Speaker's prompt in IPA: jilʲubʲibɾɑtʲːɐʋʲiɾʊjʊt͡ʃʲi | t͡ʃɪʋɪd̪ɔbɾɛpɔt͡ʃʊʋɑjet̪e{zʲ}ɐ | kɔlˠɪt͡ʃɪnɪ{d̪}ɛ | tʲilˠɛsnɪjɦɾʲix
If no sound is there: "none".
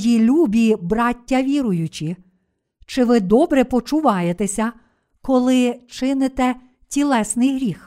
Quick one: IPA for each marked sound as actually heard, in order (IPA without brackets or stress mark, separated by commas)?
sʲ, t̪